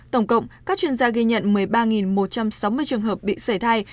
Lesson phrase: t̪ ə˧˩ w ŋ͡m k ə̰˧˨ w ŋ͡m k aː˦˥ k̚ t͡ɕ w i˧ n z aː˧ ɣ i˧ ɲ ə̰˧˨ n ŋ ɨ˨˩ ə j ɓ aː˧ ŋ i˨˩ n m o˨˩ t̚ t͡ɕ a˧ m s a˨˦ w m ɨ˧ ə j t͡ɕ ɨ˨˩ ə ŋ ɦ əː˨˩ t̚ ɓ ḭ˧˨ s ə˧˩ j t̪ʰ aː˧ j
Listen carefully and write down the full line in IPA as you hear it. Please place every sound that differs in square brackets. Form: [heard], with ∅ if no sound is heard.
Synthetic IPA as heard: t̪ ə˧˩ w ŋ͡m k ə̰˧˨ w ŋ͡m k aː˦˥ k̚ t͡ɕ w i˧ n z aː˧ ɣ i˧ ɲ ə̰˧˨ n [m] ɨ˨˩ ə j ɓ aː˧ ŋ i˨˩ n m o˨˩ t̚ t͡ɕ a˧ m s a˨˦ w m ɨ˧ ə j t͡ɕ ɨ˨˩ ə ŋ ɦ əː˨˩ [p̚] ɓ ḭ˧˨ s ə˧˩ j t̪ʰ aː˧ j